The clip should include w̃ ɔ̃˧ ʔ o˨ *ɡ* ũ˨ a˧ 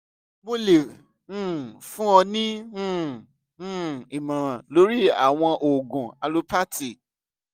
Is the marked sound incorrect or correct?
correct